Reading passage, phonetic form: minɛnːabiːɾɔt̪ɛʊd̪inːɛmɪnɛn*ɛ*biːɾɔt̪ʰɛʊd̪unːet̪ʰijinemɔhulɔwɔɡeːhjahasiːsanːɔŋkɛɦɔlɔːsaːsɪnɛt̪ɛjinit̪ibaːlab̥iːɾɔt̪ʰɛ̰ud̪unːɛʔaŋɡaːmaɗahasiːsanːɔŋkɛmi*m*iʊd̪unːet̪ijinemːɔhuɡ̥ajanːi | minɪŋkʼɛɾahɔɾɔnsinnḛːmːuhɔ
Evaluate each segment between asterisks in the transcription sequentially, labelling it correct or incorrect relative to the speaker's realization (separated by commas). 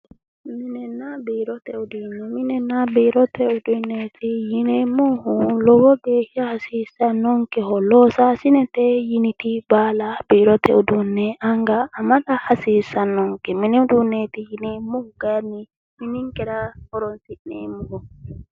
incorrect, incorrect